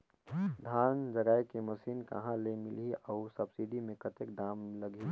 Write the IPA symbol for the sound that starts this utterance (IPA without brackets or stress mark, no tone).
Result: d̪ʱ